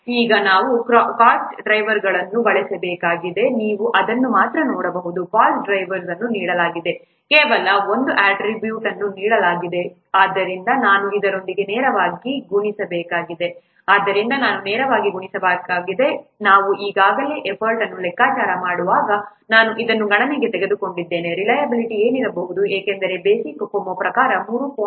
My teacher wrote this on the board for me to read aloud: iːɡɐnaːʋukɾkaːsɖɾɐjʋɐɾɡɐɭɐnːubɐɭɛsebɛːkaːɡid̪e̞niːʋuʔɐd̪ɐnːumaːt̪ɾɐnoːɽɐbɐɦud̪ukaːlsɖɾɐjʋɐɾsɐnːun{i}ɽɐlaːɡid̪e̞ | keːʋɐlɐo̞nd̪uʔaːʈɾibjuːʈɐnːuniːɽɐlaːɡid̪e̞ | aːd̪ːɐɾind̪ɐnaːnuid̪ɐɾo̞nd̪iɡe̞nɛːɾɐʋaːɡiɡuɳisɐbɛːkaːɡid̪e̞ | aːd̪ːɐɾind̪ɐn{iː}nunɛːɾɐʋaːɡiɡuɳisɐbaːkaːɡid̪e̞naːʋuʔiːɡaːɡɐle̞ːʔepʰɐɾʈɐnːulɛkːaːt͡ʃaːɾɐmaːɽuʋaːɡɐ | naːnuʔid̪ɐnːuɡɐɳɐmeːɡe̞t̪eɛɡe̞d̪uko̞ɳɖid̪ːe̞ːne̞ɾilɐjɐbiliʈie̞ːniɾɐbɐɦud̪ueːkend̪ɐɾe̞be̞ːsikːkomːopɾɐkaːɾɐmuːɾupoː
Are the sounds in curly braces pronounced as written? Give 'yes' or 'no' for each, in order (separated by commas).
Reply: no, no